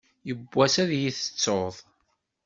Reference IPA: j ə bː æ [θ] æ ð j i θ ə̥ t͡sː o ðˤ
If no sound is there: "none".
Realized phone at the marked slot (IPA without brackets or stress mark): s